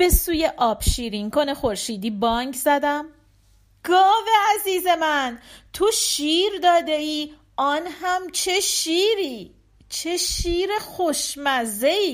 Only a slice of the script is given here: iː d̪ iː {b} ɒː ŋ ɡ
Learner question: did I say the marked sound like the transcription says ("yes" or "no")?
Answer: yes